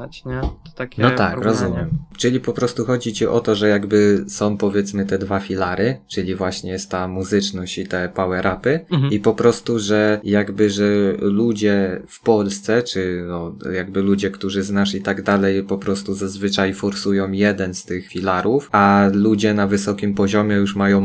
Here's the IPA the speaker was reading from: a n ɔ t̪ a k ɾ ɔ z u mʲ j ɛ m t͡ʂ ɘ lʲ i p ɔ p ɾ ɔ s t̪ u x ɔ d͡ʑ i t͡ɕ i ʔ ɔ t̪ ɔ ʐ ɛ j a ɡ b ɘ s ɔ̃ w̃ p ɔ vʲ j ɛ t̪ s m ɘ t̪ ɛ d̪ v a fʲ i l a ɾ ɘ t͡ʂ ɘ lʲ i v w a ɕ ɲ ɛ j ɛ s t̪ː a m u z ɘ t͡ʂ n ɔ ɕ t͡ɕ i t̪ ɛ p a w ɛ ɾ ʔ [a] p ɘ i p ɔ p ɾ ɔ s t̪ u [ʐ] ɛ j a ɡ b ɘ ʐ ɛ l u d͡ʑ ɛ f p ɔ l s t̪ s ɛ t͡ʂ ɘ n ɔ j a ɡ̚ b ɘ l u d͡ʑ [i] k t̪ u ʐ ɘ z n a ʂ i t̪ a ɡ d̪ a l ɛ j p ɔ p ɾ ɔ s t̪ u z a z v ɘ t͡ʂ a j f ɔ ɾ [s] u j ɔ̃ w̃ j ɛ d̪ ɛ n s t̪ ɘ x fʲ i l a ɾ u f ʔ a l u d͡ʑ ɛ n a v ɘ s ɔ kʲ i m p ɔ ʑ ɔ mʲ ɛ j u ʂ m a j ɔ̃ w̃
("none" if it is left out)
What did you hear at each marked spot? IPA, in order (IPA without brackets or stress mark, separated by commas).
a, ʐ, ɛ, s